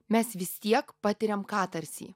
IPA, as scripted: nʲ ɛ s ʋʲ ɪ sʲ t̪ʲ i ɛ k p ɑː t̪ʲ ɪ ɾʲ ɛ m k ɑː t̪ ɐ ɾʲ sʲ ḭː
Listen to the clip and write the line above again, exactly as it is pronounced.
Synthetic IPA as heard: mʲ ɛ s ʋʲ ɪ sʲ t̪ʲ i ɛ k p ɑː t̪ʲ ɪ ɾʲ ɛ m k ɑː t̪ ɐ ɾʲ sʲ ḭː